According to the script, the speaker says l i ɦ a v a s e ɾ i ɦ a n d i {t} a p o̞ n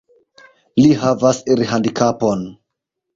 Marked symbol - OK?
no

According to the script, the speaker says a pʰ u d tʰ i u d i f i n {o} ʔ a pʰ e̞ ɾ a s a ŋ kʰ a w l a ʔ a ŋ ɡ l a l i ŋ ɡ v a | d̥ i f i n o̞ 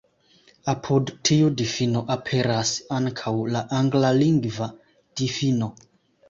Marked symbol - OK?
yes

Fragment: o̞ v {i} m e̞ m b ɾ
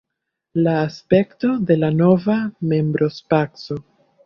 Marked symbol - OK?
no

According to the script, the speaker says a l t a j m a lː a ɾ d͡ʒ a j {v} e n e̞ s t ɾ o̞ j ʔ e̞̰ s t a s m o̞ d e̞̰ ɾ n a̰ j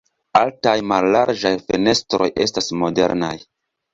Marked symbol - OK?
no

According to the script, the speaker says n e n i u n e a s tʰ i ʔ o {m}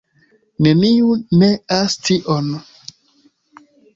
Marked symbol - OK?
no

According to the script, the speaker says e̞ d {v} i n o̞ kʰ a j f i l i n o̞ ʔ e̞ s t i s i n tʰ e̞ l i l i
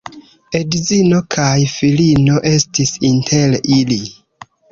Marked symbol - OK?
no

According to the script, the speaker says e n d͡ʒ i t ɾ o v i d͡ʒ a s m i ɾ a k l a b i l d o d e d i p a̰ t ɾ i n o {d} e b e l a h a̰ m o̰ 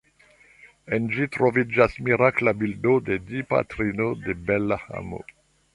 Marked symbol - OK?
yes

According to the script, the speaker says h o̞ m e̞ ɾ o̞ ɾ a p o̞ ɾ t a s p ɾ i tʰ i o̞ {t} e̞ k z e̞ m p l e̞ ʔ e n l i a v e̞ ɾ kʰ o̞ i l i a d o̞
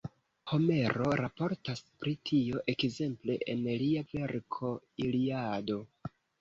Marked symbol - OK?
no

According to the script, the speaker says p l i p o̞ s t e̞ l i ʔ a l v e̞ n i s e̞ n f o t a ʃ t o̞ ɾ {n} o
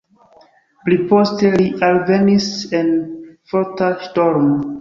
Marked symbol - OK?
no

